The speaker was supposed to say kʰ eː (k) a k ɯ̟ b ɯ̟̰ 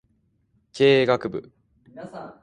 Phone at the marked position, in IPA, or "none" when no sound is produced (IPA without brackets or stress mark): ɡ